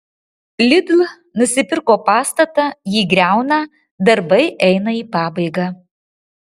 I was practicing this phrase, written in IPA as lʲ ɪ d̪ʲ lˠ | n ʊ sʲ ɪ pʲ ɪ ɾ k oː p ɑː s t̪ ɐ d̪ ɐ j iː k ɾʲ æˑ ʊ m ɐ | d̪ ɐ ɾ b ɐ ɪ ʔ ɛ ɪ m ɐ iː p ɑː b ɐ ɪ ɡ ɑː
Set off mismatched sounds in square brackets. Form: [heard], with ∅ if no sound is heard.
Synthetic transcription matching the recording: lʲ ɪ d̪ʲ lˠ | n ʊ sʲ ɪ pʲ ɪ ɾ k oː p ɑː s t̪ ɐ [t̪] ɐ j iː [ɡ] ɾʲ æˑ ʊ [n] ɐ | d̪ ɐ ɾ b ɐ ɪ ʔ ɛ ɪ [n] ɐ iː p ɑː b ɐ ɪ ɡ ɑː